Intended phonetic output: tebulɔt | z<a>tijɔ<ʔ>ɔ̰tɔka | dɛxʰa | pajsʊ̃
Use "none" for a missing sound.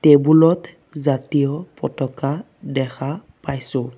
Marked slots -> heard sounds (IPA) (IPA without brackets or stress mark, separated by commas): a, p